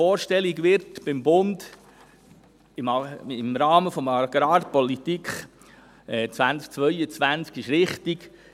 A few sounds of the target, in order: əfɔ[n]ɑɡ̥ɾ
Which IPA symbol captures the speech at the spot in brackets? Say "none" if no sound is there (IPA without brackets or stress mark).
m